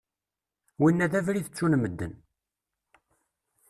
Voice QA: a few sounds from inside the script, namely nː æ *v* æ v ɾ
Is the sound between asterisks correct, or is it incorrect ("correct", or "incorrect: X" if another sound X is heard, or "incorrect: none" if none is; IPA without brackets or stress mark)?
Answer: incorrect: ð